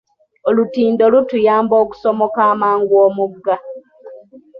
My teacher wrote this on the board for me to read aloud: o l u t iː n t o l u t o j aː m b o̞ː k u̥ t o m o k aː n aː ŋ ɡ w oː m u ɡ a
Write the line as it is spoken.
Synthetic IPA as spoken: o l u t iː n d o l u t u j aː m b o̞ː k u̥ s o m o k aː m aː ŋ ɡ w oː m u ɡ a